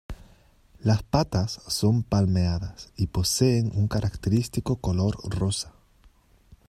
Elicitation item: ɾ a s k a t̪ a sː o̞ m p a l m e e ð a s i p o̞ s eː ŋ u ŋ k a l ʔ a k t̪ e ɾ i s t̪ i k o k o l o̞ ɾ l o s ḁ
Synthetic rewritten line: l a s p a t̪ a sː o̞ m p a l m e a ð a s i p o̞ s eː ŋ u ŋ k a ɾ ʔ a k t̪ e ɾ i s t̪ i k o k o l o̞ ɾ r o s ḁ